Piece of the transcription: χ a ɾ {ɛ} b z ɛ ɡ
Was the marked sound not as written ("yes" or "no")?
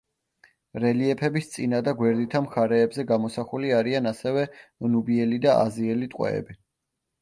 yes